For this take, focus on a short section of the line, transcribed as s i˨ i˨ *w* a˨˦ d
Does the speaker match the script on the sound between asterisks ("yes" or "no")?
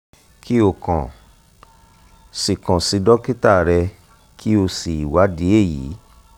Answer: yes